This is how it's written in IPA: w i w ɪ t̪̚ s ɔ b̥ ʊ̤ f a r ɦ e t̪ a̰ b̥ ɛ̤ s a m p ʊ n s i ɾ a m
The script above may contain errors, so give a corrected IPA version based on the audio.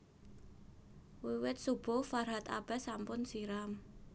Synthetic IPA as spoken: w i w ɪ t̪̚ s u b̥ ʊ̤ f a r ɦ a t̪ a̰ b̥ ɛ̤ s a m p ʊ n s i ɾ a m